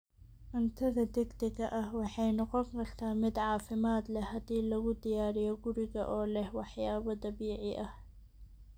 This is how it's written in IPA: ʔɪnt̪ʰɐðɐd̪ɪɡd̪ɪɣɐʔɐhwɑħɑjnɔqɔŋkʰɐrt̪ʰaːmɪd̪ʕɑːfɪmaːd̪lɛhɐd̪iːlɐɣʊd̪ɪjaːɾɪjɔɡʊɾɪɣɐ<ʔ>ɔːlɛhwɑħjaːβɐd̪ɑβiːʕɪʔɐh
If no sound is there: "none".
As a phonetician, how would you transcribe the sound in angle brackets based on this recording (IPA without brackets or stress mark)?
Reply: ʔ